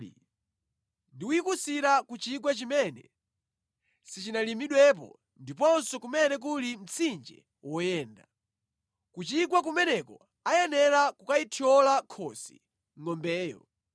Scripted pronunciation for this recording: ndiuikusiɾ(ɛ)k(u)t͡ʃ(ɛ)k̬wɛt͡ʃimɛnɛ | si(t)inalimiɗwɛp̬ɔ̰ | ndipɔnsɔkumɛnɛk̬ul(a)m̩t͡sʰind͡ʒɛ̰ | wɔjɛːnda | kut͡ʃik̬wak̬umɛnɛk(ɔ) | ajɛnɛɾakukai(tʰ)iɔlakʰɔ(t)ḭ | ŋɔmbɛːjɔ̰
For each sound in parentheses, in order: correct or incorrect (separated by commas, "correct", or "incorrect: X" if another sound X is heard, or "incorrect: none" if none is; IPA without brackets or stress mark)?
incorrect: a, correct, incorrect: i, incorrect: t͡ʃ, incorrect: i, correct, correct, incorrect: s